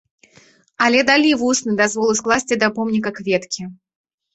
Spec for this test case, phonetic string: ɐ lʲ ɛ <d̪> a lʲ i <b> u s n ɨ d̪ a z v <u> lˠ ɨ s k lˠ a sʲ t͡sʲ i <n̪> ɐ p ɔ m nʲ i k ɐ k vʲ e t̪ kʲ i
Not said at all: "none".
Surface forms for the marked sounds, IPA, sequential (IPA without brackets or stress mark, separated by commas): d̪, v, ɔ, d̪